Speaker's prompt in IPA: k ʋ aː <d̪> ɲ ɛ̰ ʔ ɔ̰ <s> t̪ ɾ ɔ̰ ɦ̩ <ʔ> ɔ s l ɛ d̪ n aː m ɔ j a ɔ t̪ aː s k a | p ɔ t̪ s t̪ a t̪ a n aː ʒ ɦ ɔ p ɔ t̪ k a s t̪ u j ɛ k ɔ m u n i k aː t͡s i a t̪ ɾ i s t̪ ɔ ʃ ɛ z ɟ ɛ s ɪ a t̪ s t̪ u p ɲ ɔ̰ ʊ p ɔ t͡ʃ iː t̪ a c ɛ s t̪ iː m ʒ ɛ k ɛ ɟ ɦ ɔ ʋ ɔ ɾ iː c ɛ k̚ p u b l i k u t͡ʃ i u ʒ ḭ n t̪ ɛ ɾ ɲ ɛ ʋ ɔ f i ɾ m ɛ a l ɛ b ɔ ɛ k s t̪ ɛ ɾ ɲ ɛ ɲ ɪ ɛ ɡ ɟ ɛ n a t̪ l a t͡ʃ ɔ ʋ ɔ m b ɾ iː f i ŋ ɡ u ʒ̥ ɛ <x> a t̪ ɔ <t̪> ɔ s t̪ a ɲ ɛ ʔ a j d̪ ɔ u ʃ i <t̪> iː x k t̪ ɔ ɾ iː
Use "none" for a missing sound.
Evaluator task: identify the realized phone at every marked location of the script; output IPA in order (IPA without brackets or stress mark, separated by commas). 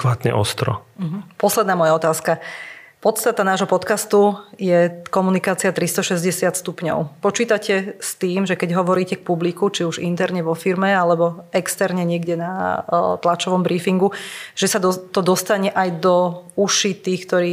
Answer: t̪, s, p, s, d̪, t̪